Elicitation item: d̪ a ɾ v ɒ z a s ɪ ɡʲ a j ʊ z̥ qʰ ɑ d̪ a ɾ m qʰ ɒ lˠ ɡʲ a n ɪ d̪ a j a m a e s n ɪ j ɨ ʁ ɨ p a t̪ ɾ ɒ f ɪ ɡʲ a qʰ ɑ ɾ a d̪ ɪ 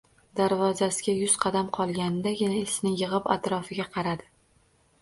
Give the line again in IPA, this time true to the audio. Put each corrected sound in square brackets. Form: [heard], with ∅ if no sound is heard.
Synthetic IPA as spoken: d̪ a ɾ v ɒ z a s ɪ ɡʲ a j ʊ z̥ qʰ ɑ d̪ a [∅] m qʰ ɒ lˠ ɡʲ a n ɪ d̪ a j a [n] a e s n ɪ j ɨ ʁ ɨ p a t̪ ɾ ɒ f ɪ ɡʲ a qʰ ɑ ɾ a d̪ ɪ